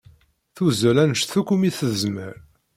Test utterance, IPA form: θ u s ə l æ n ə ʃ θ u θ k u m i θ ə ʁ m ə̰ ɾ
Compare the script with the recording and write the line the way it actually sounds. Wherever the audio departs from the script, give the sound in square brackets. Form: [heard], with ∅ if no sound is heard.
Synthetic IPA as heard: θ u [z] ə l æ n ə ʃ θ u [∅] k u m i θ ə [z] m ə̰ ɾ